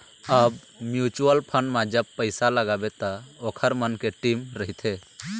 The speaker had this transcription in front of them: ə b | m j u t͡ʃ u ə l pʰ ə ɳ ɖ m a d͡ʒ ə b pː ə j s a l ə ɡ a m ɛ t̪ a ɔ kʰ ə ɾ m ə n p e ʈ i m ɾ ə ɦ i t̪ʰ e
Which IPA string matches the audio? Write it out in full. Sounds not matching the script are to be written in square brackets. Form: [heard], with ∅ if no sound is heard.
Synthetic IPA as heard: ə b | m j u t͡ʃ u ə l pʰ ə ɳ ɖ m a d͡ʒ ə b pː ə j s a l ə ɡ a [b] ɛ t̪ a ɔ kʰ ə ɾ m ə n [k] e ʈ i m ɾ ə ɦ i t̪ʰ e